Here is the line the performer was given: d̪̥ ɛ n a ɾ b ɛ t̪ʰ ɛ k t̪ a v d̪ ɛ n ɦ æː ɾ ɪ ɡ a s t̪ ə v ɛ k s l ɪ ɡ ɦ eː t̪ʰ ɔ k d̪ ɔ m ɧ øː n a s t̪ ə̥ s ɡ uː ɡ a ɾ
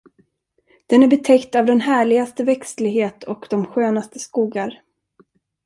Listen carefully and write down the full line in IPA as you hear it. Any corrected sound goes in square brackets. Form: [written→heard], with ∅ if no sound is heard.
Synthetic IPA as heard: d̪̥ ɛ n [a→æ] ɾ b ɛ t̪ʰ ɛ k t̪ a v d̪ ɛ n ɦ æː [ɾ→ɭ] ɪ ɡ a s t̪ ə v ɛ k s l ɪ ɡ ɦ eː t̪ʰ ɔ k d̪ ɔ m ɧ øː n a s t̪ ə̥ s [ɡ→k] uː ɡ a ɾ